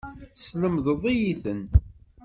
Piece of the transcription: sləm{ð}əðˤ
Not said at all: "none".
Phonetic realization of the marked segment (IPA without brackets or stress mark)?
ð